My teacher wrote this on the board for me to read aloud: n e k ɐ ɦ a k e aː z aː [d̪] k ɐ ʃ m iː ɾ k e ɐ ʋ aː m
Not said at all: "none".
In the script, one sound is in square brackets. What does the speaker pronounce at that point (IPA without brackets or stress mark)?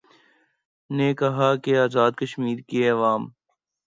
d̪